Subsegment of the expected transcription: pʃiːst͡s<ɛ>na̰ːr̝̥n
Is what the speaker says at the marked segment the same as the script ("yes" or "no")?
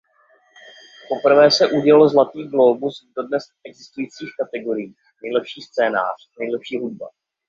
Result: no